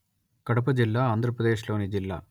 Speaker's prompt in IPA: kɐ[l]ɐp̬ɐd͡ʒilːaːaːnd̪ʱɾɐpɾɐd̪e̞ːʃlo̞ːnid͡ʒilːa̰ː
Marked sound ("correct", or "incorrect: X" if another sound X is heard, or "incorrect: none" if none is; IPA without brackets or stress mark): incorrect: ɽ